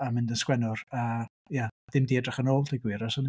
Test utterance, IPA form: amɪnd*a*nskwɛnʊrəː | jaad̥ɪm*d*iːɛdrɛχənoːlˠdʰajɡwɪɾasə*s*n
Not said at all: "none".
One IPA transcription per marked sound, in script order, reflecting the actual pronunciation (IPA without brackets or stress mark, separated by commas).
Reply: ə, d, none